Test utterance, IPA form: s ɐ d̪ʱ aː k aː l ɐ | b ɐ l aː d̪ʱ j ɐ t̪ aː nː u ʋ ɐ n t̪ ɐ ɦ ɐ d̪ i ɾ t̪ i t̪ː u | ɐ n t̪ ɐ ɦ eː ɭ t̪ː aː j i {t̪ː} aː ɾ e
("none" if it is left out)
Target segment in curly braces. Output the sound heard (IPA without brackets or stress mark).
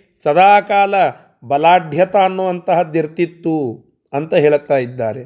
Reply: d̪ː